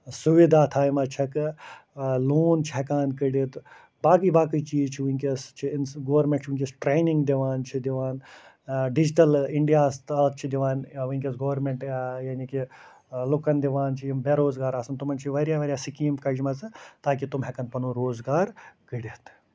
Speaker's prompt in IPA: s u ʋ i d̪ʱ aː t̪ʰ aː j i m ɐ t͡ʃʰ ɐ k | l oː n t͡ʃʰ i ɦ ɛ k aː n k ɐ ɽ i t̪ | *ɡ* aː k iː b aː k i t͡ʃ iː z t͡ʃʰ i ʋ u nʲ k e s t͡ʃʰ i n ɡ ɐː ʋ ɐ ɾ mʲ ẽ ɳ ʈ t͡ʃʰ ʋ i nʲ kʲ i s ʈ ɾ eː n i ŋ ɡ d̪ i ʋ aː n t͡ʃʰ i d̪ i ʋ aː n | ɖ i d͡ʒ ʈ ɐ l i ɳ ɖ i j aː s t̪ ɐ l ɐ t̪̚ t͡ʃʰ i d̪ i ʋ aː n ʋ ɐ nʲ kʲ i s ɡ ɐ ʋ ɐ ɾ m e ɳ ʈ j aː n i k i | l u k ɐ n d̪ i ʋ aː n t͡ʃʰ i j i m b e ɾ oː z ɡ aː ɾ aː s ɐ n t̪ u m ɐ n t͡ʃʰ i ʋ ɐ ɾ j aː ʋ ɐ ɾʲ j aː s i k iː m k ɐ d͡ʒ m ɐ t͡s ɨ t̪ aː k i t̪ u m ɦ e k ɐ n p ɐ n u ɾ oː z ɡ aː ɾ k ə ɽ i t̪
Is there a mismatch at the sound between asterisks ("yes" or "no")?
yes